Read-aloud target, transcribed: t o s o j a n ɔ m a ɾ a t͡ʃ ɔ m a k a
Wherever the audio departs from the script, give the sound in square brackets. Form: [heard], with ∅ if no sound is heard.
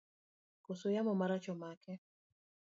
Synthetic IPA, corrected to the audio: [k] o s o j a [m] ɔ m a ɾ a t͡ʃ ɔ m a k [ɛ]